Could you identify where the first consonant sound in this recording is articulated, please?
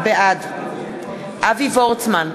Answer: labial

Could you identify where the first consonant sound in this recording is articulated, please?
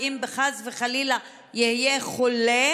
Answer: labial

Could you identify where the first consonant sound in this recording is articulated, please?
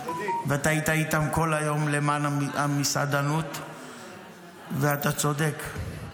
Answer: labial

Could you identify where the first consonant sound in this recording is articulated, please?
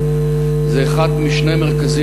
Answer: alveolar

